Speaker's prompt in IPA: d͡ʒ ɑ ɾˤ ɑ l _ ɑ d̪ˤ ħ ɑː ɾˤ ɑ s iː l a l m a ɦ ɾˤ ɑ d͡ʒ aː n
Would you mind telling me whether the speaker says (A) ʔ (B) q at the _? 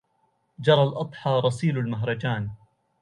A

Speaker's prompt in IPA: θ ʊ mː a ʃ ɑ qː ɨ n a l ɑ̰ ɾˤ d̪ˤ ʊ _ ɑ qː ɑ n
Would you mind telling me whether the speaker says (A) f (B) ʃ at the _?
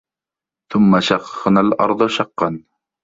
B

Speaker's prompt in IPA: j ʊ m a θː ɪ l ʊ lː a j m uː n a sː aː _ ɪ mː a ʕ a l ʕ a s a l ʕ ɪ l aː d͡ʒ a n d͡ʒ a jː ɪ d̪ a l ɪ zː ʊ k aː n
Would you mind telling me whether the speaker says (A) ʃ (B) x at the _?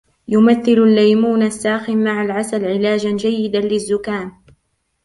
B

